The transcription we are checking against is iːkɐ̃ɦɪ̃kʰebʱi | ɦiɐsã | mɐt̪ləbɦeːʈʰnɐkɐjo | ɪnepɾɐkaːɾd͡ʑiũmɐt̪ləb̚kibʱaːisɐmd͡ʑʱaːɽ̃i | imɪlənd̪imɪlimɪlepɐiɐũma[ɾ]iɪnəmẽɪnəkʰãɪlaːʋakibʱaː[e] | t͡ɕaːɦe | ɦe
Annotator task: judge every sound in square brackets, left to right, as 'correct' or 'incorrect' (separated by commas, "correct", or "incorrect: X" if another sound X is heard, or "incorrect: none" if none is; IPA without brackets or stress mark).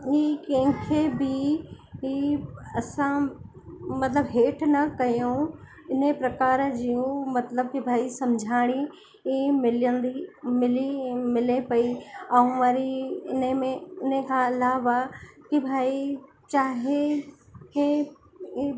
correct, incorrect: i